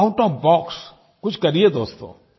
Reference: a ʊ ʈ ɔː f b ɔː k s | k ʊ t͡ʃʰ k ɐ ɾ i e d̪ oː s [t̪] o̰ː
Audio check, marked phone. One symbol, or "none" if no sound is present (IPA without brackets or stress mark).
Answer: t̪